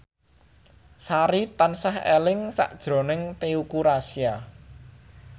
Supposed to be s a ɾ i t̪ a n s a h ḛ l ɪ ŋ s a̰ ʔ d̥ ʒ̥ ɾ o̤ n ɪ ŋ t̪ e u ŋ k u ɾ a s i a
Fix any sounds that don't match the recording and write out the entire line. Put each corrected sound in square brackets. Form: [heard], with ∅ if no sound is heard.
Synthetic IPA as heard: s a ɾ i t̪ a n s a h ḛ l ɪ ŋ s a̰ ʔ d̥ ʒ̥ ɾ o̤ n ɪ ŋ t̪ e u [∅] k u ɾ a s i a